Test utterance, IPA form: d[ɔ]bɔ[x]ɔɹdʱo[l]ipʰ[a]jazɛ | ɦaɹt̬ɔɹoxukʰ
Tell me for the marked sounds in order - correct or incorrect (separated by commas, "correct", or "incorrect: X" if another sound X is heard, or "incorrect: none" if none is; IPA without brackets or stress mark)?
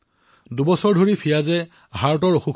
incorrect: u, incorrect: s, incorrect: ɹ, incorrect: i